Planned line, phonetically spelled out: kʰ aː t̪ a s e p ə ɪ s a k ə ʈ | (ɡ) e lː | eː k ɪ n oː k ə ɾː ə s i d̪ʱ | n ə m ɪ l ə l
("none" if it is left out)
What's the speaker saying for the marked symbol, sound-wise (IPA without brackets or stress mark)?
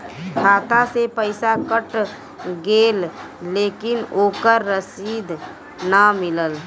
ɡ